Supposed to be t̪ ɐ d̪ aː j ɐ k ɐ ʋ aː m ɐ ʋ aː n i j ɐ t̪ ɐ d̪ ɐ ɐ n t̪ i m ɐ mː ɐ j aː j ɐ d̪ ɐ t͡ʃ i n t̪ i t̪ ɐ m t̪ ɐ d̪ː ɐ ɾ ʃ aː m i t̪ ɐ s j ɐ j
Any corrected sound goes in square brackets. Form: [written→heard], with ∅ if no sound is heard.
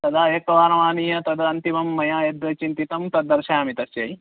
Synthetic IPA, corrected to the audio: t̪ ɐ d̪ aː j ɐ k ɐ ʋ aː [m→n] ɐ ʋ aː n i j ɐ t̪ ɐ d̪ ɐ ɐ n t̪ i m ɐ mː ɐ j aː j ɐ d̪ ɐ t͡ʃ i n t̪ i t̪ ɐ m t̪ ɐ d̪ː ɐ ɾ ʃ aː m i t̪ ɐ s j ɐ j